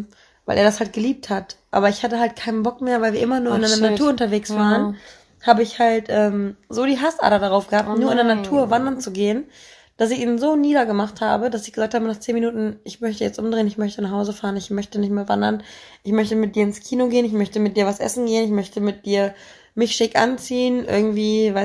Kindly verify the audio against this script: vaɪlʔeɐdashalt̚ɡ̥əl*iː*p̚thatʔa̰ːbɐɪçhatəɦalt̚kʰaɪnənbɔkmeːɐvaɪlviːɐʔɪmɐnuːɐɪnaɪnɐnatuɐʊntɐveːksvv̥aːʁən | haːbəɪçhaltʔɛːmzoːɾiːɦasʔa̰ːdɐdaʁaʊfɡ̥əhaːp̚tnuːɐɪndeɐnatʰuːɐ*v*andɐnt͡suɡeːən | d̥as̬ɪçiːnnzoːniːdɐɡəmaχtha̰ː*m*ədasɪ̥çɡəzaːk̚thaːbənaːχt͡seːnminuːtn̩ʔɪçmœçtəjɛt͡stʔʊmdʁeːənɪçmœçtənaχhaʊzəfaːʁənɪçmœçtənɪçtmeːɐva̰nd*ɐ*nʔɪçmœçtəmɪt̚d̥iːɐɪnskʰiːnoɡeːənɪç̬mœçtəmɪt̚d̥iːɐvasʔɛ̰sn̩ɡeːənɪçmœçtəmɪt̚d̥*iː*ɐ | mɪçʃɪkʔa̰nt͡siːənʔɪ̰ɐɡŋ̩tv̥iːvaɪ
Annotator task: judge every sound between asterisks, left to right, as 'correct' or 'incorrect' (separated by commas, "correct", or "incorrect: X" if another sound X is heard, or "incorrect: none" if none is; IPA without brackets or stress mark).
correct, correct, incorrect: b, correct, correct